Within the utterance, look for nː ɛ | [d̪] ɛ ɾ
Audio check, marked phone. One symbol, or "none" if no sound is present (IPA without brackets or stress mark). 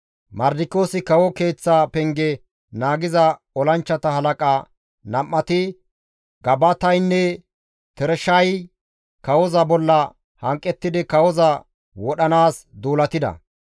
t̪